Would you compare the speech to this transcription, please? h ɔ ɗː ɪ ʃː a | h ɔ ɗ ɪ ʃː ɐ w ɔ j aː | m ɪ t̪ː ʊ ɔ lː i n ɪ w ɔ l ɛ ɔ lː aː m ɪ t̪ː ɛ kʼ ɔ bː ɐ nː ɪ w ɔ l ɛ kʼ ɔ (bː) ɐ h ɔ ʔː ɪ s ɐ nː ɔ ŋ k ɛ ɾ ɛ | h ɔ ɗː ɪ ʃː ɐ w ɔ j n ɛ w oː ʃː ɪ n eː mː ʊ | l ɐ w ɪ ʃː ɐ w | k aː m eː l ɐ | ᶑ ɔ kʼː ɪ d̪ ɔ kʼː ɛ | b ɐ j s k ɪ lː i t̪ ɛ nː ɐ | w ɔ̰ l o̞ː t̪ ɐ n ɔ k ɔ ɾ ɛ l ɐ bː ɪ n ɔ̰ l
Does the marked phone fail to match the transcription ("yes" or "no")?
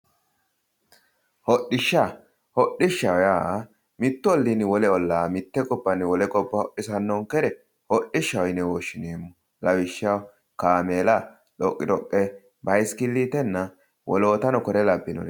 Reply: no